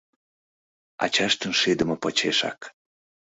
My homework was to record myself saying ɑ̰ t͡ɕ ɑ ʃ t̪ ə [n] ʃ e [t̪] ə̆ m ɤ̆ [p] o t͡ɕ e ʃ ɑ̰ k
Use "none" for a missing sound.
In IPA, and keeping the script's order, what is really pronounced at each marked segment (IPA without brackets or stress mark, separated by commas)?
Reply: n, d̪, p